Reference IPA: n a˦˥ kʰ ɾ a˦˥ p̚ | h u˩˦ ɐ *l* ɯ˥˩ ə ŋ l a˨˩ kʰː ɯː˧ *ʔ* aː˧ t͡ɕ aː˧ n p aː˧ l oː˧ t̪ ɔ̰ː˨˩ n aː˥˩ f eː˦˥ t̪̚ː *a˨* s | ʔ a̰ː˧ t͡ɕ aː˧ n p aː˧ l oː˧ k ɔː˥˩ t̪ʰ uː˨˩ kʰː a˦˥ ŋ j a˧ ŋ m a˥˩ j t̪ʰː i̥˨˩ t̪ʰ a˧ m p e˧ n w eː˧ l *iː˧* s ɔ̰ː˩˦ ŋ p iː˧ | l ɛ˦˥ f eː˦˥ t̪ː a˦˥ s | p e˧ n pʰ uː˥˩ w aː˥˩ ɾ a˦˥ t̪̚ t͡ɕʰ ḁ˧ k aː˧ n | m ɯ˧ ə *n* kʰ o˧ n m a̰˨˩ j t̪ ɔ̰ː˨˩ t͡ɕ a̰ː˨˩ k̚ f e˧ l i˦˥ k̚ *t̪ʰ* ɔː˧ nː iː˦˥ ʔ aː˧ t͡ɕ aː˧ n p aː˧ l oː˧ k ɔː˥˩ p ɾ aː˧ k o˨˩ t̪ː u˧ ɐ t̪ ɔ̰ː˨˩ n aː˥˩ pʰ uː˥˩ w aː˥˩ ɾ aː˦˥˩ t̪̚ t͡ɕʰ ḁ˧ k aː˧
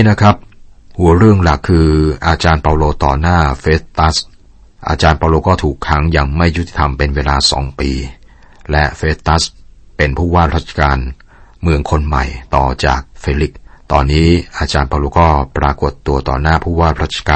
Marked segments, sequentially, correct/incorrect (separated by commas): incorrect, correct, incorrect, incorrect, incorrect, incorrect